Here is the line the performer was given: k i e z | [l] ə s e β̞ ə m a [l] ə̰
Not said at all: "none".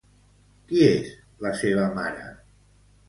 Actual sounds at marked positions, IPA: l, ɾ

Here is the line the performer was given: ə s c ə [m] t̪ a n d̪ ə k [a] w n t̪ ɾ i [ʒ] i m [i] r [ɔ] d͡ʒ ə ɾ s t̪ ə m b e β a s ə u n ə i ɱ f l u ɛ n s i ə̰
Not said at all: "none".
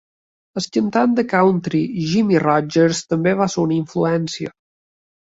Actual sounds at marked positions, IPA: n, a, ʒ, i, ɔ

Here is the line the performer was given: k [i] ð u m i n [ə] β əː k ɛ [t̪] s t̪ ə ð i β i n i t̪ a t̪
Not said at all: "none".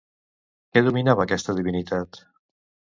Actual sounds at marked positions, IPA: ɛ, a, none

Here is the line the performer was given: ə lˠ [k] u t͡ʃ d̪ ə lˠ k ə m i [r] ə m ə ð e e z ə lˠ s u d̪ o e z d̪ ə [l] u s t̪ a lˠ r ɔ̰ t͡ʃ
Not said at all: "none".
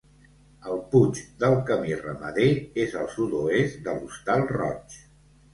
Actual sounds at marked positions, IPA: p, r, l

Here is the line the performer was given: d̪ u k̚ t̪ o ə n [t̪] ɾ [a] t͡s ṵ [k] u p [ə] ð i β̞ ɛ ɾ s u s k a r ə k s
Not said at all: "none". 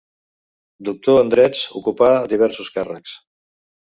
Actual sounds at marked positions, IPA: d̪, ɛ, k, a

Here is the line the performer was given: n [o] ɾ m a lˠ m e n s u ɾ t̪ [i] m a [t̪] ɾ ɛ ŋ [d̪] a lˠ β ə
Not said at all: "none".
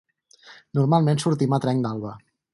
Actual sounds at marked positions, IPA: u, i, t̪, d̪

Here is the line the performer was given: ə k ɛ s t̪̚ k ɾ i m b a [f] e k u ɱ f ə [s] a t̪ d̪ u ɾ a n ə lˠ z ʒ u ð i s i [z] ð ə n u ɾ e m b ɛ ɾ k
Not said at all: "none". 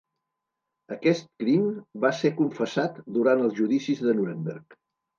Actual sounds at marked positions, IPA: s, s, z

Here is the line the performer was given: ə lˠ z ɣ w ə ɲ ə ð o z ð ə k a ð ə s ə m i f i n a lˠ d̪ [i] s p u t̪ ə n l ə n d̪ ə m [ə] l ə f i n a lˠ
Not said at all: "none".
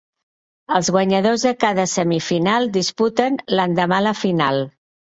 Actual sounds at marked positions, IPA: i, a

